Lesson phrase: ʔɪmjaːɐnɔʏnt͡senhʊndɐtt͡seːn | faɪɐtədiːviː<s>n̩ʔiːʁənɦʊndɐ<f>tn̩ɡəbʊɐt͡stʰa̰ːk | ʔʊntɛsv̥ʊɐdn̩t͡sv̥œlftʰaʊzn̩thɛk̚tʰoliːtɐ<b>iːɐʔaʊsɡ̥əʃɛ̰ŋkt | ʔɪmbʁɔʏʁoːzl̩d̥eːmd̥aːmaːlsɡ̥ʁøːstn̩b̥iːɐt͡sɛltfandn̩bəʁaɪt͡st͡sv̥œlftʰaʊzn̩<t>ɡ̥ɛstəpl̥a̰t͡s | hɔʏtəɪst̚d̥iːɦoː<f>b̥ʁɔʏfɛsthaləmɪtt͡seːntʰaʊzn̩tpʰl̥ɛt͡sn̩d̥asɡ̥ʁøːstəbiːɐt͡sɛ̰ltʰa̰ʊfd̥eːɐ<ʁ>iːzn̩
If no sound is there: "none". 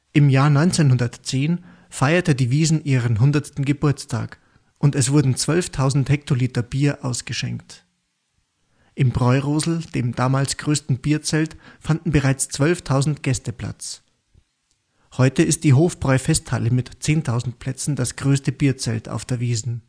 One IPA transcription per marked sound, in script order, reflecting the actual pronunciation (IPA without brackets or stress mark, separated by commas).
z, s, b, t, f, v